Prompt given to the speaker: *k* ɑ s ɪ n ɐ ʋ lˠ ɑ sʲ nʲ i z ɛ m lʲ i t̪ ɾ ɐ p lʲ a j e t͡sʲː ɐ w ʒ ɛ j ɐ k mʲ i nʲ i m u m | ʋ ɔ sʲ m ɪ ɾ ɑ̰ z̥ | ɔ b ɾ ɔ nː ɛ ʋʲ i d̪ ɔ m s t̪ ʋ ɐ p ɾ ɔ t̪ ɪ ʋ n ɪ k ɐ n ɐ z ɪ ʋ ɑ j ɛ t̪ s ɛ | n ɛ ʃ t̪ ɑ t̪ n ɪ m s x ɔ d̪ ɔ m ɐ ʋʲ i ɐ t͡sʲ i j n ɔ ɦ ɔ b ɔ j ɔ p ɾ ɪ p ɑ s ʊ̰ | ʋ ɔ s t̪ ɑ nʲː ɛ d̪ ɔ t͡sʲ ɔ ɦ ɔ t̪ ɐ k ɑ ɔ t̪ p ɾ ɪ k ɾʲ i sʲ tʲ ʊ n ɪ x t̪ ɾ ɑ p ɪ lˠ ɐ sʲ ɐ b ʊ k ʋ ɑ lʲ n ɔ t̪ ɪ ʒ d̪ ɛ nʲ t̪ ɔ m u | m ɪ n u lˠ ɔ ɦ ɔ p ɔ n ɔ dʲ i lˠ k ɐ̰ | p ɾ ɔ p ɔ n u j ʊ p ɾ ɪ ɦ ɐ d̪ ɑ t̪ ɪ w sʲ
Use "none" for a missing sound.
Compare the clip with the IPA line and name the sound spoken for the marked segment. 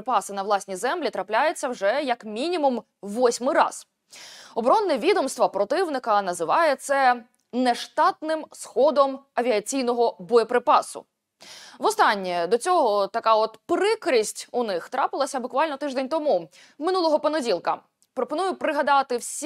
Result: p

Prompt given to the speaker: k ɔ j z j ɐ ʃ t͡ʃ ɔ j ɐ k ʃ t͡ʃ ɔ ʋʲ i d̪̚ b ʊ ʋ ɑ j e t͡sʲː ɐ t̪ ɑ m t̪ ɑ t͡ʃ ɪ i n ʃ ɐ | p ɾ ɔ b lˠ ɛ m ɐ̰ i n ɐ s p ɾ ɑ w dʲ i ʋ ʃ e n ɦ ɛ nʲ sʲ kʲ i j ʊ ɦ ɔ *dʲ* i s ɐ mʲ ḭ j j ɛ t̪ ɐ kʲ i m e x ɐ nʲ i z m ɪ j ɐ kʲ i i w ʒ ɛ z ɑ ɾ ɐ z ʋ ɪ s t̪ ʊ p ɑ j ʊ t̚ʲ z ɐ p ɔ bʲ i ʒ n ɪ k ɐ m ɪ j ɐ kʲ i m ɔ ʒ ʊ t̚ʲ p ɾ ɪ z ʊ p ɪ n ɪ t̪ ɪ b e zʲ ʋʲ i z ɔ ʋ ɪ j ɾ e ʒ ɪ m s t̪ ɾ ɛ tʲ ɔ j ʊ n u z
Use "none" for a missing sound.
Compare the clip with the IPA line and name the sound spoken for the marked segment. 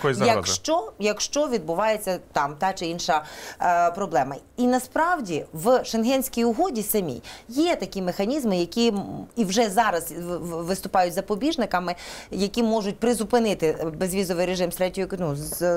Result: dʲ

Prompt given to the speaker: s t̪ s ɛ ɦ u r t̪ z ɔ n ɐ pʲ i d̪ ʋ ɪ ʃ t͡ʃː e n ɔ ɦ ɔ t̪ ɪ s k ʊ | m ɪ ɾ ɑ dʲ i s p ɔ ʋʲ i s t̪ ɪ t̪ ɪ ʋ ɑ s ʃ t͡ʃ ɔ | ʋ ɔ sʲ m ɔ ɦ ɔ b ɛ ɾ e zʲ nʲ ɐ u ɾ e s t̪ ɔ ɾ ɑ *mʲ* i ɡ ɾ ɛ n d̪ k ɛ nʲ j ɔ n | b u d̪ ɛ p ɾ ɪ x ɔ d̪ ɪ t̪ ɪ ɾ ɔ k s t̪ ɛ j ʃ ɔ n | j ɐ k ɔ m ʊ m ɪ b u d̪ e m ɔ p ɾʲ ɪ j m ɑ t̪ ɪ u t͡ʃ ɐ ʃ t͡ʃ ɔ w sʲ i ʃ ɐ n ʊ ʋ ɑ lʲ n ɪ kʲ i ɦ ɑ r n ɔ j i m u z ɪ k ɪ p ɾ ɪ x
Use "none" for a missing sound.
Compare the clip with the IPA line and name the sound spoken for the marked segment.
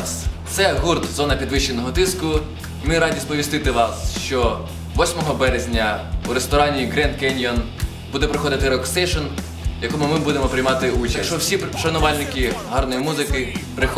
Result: nʲ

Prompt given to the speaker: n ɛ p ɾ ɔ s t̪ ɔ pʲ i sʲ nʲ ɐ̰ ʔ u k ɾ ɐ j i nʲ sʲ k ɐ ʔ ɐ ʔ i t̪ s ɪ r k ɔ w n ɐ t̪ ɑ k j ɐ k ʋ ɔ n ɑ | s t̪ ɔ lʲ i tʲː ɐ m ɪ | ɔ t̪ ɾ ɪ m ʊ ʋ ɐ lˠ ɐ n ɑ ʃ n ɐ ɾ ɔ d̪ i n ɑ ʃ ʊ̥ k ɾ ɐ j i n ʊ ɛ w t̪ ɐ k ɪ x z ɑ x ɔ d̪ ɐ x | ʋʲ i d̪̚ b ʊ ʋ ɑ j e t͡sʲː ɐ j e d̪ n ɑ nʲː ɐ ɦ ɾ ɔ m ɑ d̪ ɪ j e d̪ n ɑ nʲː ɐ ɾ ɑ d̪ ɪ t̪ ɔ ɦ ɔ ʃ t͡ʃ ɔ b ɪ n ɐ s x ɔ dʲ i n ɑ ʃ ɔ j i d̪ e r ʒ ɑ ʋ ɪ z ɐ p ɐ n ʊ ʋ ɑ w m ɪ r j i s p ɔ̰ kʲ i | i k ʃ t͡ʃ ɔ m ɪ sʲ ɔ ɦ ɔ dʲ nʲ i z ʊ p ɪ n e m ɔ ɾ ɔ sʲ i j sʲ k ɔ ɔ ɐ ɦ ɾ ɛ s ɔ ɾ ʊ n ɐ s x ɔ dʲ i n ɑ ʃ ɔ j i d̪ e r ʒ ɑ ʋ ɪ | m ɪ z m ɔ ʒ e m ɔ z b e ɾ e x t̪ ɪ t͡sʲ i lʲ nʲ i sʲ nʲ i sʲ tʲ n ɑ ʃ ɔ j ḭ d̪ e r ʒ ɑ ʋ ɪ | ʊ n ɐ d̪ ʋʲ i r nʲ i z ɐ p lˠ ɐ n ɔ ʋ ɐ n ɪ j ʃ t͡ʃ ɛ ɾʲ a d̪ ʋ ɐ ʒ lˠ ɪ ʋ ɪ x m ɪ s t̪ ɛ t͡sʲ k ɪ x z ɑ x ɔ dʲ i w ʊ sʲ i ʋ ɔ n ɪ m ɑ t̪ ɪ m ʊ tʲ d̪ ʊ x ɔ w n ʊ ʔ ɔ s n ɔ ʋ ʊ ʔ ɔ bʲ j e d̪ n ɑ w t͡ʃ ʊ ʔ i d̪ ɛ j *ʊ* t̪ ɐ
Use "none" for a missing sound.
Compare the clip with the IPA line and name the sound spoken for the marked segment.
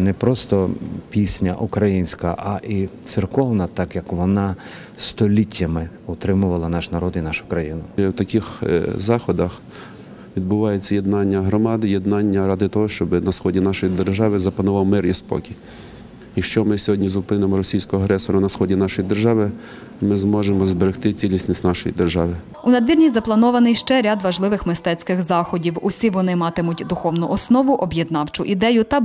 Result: ʊ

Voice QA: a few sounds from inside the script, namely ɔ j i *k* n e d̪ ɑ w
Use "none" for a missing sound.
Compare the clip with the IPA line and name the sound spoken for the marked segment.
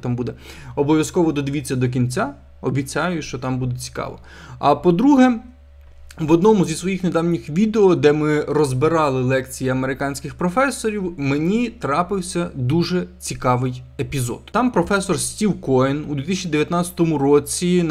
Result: x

